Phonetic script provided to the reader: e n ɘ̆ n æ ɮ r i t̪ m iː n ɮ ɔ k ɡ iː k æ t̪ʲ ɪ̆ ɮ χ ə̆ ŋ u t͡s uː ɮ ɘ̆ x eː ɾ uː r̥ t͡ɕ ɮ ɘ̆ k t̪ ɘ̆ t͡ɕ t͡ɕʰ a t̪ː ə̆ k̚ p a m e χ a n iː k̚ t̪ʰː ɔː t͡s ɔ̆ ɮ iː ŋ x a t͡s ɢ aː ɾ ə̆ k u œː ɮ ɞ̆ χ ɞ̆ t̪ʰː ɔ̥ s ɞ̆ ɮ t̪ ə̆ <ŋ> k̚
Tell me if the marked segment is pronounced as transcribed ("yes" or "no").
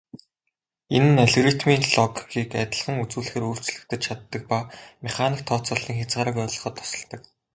no